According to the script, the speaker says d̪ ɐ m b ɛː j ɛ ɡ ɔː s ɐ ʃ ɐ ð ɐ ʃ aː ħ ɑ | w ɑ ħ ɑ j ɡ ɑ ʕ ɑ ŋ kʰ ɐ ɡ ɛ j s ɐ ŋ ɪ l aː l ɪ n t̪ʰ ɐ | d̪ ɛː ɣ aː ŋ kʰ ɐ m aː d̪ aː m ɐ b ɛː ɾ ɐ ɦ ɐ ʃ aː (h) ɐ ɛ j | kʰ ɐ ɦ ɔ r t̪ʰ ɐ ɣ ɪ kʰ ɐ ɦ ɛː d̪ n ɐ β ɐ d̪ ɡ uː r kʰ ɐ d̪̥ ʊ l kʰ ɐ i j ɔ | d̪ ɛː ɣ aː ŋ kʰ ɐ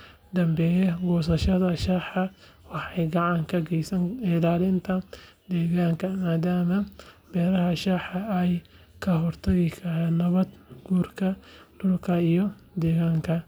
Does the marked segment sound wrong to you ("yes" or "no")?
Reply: yes